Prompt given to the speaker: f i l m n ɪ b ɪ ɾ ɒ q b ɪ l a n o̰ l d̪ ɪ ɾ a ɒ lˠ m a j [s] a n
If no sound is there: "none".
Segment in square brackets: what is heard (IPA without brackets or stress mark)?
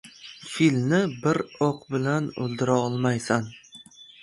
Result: s